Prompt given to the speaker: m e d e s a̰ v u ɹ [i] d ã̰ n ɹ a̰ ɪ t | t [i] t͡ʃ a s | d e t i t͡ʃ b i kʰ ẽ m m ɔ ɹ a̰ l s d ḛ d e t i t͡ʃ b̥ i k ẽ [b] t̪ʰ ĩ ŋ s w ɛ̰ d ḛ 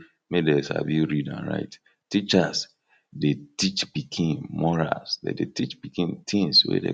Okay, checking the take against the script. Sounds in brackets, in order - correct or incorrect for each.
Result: correct, correct, incorrect

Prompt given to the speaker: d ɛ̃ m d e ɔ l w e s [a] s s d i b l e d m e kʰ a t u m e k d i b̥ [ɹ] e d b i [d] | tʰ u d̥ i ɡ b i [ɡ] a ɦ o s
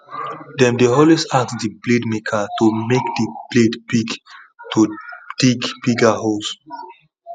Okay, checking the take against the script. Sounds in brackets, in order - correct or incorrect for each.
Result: correct, incorrect, incorrect, correct

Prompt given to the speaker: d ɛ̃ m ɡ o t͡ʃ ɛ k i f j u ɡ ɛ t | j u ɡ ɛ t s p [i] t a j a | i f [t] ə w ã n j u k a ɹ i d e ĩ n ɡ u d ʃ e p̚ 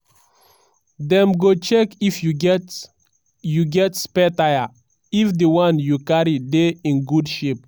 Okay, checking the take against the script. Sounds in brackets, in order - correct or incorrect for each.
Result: incorrect, incorrect

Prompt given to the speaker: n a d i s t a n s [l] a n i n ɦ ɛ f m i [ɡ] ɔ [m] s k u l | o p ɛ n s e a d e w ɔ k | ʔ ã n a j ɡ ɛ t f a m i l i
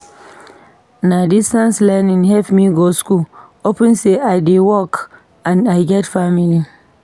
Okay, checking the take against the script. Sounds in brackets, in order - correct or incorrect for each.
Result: correct, correct, incorrect

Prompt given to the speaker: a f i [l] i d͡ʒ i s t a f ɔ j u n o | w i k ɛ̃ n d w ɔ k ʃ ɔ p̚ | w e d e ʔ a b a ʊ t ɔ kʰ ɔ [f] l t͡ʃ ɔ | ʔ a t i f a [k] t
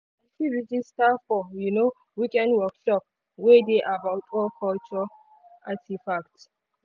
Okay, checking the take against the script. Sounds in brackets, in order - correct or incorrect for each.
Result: incorrect, incorrect, correct

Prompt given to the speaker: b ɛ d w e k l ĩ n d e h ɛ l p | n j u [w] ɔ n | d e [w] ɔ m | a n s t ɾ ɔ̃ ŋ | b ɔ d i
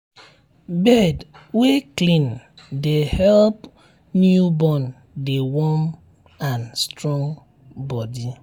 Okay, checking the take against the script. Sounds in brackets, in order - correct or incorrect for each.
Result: incorrect, correct

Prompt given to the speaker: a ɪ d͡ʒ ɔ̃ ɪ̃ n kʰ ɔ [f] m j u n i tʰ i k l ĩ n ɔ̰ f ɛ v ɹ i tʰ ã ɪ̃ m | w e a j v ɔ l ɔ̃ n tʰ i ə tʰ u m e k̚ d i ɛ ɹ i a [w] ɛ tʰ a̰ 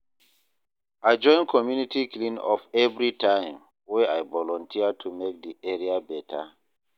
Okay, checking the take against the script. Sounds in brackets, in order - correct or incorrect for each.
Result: incorrect, incorrect

